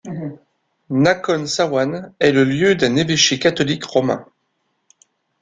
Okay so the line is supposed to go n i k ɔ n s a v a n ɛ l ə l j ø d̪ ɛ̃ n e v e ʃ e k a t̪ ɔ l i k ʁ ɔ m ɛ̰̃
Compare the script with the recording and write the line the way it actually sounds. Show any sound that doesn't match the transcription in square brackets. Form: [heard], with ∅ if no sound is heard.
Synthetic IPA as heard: n [a] k ɔ n s a [w] a n ɛ l ə l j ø d̪ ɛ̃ n e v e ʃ e k a t̪ ɔ l i k ʁ ɔ m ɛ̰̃